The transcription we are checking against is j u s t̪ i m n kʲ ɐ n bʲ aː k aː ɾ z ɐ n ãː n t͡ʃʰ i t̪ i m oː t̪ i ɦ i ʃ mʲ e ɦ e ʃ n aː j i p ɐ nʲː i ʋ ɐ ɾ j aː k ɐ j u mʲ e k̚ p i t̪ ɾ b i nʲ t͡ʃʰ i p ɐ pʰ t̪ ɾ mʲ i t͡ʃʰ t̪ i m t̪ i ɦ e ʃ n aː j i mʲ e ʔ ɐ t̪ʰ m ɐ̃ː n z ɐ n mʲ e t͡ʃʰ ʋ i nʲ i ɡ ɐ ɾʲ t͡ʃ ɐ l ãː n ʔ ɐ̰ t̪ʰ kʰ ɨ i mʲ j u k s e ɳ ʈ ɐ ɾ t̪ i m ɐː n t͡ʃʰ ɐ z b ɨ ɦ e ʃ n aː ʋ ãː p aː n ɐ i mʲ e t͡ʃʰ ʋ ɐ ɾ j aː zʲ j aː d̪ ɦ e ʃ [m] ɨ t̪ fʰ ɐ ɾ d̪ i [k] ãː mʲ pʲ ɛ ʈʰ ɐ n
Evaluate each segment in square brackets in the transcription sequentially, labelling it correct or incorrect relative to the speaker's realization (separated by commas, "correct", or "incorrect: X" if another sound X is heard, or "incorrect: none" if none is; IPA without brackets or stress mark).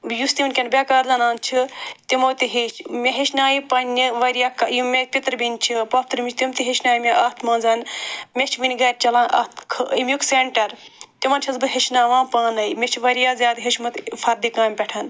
correct, correct